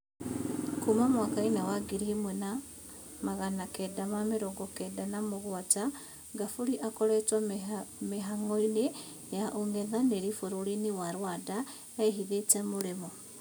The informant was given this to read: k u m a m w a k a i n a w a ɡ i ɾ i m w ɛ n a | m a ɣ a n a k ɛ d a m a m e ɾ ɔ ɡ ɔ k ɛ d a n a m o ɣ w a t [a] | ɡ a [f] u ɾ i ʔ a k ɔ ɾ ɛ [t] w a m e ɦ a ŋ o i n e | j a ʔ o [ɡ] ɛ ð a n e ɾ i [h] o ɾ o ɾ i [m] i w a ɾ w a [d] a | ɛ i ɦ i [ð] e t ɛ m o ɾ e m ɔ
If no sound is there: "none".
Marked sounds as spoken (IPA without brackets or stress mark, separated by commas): a, f, t, ŋ, f, n, d, ð